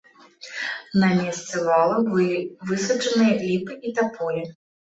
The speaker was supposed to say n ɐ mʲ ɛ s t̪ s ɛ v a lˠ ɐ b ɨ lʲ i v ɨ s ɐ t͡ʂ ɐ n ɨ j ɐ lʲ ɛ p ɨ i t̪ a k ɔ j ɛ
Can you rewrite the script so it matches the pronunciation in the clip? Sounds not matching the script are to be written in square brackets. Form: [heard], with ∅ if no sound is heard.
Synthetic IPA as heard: n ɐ mʲ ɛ s t̪ s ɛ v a lˠ ɐ b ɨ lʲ i v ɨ s ɐ t͡ʂ ɐ n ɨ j ɐ lʲ [i] p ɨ i t̪ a [p] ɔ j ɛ